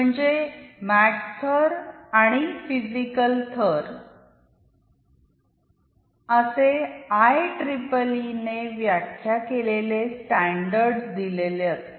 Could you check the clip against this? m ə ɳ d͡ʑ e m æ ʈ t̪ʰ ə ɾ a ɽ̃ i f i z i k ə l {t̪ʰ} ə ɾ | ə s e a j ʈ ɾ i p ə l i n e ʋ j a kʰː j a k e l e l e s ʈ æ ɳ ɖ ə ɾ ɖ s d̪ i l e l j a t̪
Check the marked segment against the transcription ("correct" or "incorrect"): correct